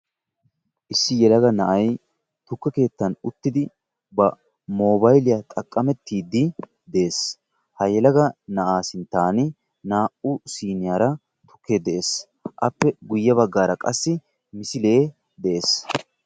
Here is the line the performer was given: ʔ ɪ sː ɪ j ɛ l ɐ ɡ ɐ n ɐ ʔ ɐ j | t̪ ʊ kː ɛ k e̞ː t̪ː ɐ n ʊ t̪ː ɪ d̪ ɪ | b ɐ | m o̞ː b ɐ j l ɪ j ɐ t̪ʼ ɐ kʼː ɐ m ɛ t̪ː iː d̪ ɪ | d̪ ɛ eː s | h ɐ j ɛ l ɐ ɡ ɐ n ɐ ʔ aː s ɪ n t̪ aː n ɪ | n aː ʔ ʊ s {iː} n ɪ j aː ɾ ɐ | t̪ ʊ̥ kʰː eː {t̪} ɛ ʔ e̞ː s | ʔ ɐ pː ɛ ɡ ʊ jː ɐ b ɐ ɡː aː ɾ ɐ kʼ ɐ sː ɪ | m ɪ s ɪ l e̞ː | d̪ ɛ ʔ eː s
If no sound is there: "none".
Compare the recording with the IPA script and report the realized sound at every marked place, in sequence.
iː, d̪

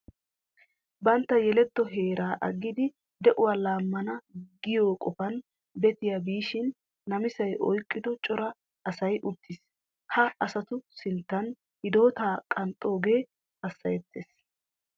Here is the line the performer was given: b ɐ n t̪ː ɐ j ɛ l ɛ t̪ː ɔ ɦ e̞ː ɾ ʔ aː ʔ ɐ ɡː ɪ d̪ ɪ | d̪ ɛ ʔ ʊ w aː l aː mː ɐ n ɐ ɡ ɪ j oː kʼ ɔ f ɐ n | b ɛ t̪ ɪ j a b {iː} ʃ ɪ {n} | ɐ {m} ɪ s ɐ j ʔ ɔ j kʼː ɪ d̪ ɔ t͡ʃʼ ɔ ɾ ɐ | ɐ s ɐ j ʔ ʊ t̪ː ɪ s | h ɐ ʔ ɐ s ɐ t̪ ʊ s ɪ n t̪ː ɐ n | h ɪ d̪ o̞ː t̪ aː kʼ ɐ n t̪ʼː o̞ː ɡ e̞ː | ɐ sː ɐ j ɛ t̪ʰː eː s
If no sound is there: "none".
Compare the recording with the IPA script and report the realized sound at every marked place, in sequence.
iː, nː, m

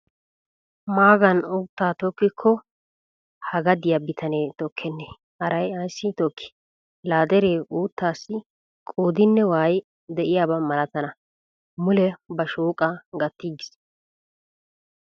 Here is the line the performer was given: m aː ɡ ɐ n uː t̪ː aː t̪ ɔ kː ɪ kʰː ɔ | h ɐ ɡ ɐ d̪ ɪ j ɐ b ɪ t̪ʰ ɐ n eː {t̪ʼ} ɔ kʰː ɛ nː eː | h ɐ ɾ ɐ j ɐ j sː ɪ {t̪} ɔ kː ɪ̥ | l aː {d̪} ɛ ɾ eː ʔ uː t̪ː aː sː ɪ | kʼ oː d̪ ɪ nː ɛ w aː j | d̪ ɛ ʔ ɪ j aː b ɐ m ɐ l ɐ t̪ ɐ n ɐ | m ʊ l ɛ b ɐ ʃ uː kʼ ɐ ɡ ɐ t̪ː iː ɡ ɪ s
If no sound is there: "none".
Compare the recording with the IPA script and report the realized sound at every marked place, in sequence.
t̪, t̪, d̪

